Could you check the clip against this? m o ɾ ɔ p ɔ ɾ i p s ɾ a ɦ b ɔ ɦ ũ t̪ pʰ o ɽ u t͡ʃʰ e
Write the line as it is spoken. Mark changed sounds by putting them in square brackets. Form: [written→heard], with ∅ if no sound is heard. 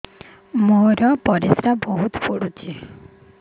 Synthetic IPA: m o ɾ ɔ p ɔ ɾ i [p→∅] s ɾ a [ɦ→∅] b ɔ ɦ [ũ→u] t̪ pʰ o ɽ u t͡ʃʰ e